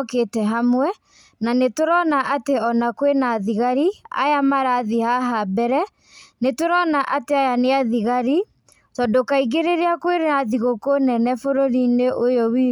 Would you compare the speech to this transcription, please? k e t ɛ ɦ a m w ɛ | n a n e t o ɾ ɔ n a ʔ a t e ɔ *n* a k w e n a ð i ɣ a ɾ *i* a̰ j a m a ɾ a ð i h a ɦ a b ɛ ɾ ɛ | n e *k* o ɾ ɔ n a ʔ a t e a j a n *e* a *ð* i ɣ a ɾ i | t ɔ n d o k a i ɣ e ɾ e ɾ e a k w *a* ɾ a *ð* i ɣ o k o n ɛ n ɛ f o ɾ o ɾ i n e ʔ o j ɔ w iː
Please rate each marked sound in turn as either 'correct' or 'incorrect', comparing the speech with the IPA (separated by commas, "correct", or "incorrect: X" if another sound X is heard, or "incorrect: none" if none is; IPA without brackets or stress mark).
correct, correct, incorrect: t, correct, correct, incorrect: e, correct